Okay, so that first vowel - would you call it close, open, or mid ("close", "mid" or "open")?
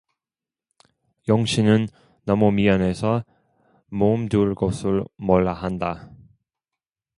mid